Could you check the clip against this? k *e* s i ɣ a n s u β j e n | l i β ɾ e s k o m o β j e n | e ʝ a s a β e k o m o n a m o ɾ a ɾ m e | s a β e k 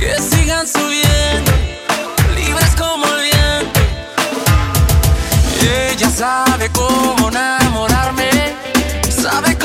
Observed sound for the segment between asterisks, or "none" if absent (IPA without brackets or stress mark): e